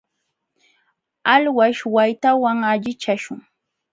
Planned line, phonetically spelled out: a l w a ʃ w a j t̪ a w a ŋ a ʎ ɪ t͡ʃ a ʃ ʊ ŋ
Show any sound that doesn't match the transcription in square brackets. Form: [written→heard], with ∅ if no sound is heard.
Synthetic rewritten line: a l w a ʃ w a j t̪ a w a ŋ a ʎ ɪ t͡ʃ a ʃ ʊ ŋ